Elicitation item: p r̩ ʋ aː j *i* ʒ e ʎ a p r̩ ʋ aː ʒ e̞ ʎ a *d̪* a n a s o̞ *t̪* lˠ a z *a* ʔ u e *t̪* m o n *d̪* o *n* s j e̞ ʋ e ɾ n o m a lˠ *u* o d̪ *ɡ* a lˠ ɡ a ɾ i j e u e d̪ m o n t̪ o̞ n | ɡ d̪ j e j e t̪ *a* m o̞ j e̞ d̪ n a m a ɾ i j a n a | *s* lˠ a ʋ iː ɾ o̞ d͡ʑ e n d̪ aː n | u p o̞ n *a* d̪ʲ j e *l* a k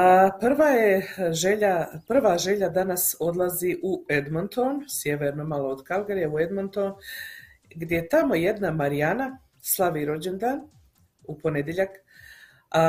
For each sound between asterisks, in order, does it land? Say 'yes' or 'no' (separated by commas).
no, yes, no, no, no, no, yes, no, no, yes, yes, no, no